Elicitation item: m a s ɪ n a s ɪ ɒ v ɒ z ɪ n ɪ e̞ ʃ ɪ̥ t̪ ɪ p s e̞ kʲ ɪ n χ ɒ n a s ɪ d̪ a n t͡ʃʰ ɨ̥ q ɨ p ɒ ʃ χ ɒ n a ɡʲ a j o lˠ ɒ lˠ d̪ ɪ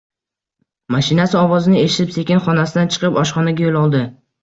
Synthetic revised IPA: m a ʃ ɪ n a s ɪ ɒ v ɒ z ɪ n ɪ e̞ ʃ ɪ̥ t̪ ɪ p s e̞ kʲ ɪ n χ ɒ n a s ɪ d̪ a n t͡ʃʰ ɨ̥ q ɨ p ɒ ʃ χ ɒ n a ɡʲ a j o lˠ ɒ lˠ d̪ ɪ